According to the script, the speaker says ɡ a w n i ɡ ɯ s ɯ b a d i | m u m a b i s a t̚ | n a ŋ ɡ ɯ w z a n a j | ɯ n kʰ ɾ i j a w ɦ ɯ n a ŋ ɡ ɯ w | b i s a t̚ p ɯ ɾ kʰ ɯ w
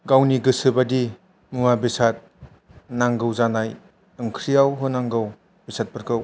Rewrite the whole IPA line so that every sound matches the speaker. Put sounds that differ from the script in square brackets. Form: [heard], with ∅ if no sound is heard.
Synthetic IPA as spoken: ɡ a w n i ɡ ɯ s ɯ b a d i | m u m a b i s a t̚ | n a ŋ ɡ ɯ w z a n a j | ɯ [ŋ] kʰ ɾ i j a w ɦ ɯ n a ŋ ɡ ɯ w | b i s a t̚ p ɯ ɾ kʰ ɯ w

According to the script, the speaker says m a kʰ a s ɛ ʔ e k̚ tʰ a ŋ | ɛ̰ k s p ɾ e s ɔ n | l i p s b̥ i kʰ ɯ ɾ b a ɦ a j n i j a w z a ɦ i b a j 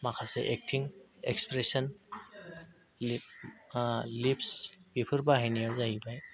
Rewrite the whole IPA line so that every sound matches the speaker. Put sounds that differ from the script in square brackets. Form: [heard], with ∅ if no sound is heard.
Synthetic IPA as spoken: m a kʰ a s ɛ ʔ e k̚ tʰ [i] ŋ | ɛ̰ k s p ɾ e s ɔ n | l i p s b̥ i [pʰ] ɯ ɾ b a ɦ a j n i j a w z a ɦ i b a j

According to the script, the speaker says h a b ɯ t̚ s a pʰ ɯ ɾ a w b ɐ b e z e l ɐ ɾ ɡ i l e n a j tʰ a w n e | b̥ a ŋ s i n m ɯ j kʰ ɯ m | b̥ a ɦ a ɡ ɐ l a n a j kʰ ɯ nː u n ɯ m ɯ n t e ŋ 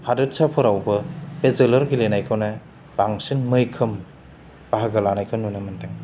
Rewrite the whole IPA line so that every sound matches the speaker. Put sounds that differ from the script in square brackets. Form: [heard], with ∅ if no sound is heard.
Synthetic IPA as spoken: h a [d] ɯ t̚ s a pʰ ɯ ɾ a w b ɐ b e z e l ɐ ɾ ɡ i l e n a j [kʰ] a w n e | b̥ a ŋ s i n m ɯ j kʰ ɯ m | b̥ a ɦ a ɡ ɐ l a n a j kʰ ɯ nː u n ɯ m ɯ n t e ŋ

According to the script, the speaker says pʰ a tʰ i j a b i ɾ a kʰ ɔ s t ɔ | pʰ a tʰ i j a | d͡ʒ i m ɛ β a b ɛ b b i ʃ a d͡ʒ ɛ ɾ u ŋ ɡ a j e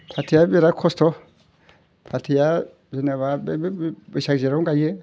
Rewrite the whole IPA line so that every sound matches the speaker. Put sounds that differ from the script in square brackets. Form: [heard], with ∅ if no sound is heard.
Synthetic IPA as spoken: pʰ a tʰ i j a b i ɾ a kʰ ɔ s t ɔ | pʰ a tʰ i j a | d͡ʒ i [n] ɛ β a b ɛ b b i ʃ a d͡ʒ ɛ ɾ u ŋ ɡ a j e

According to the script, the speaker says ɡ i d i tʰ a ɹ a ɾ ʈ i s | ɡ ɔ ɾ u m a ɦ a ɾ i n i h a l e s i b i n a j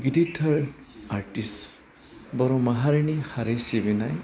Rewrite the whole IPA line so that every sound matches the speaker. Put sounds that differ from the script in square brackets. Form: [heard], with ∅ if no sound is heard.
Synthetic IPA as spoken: ɡ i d i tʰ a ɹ a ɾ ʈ i s | [b] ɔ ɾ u m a ɦ a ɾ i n i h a [ɾ] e s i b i n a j

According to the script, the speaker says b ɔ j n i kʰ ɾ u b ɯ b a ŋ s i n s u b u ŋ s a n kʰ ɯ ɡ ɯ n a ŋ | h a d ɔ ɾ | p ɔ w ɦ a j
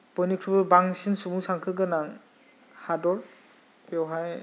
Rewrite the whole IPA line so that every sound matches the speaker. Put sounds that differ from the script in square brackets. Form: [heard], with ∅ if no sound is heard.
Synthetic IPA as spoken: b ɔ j n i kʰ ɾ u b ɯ b a ŋ s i n s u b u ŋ s a [ŋ] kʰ ɯ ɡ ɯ n a ŋ | h a d ɔ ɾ | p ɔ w ɦ a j

